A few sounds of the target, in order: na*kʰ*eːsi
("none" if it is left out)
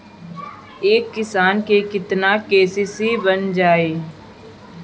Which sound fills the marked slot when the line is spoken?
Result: k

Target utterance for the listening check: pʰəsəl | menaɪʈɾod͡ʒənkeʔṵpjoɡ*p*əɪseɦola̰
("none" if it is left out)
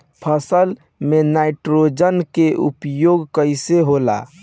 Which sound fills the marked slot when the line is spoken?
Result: k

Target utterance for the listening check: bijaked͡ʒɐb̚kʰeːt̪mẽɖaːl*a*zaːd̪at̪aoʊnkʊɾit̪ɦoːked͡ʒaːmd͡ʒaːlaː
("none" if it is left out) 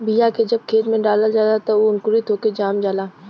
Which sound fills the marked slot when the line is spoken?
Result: a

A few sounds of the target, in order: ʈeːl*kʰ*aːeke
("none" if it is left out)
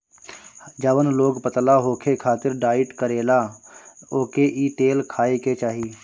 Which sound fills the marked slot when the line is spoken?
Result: kʰ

